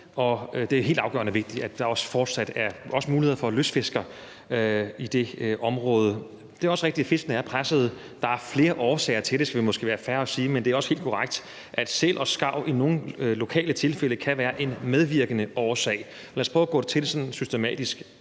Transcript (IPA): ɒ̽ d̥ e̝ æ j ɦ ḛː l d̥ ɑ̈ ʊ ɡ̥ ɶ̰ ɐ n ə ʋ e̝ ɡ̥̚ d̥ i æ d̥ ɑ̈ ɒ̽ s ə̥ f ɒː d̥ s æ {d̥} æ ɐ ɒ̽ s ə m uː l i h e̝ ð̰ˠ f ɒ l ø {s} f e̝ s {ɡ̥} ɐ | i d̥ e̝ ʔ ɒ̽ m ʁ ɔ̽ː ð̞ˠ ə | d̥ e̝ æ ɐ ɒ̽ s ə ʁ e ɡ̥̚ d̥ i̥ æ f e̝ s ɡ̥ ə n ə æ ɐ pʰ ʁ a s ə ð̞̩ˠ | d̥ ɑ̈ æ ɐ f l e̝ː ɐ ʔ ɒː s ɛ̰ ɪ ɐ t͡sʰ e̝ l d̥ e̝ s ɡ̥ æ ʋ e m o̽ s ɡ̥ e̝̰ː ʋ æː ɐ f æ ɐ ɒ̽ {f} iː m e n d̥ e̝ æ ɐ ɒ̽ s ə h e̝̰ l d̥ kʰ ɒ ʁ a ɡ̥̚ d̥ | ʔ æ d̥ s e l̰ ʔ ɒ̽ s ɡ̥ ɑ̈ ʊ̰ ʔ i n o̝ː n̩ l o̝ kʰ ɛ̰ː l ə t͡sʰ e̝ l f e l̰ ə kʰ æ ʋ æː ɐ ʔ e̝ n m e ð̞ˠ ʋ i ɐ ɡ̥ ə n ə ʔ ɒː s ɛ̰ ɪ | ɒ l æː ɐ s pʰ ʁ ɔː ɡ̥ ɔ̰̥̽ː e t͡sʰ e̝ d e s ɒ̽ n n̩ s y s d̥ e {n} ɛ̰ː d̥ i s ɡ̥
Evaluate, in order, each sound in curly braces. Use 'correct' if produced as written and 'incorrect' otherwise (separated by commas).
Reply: correct, correct, correct, incorrect, incorrect